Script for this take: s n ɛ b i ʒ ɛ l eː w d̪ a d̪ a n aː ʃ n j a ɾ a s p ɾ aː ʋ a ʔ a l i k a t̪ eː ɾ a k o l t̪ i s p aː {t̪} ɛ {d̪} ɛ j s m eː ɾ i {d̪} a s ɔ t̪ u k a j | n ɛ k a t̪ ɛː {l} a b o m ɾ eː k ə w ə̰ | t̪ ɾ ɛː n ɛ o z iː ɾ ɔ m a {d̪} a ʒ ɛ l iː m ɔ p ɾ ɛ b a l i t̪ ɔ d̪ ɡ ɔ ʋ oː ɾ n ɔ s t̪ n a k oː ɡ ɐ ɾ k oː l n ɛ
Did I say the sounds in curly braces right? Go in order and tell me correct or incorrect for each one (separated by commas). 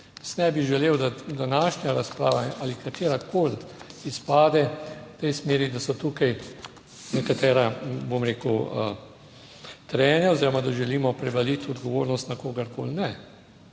incorrect, incorrect, correct, incorrect, correct